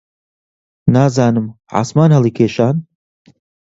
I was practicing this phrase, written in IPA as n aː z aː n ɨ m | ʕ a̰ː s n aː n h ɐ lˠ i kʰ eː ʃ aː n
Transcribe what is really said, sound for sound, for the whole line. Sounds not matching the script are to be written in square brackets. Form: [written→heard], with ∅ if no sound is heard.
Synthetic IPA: n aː z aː n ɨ m | ʕ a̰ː s [n→m] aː n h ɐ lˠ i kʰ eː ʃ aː n